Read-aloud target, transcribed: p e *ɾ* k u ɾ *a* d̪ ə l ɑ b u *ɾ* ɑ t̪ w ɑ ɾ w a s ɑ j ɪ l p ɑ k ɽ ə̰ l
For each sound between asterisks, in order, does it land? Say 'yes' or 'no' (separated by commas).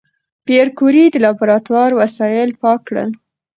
yes, no, yes